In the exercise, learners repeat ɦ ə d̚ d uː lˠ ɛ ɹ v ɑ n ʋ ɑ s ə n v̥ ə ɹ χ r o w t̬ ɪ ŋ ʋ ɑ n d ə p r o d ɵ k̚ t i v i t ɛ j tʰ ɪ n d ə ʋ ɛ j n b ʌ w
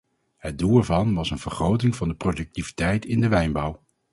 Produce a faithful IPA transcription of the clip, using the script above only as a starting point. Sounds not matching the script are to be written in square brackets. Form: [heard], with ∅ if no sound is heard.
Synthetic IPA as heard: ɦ ə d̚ d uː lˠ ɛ ɹ v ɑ n ʋ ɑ s ə n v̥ ə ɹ χ r o w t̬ ɪ ŋ [v] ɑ n d ə p r o d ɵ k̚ t i v i t ɛ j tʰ ɪ n d ə ʋ ɛ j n b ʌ w